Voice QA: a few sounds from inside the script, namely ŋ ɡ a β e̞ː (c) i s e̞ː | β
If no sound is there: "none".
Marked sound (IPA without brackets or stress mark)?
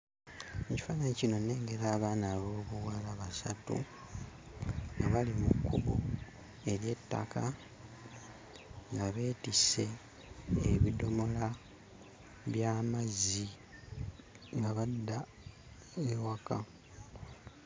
t